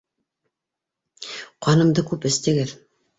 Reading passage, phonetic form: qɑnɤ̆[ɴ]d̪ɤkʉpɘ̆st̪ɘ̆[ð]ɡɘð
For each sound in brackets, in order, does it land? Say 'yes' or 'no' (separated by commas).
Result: no, no